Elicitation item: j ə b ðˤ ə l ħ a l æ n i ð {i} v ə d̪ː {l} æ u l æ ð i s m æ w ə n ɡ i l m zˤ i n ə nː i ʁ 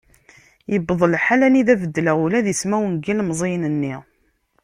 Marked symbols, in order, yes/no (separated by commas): no, yes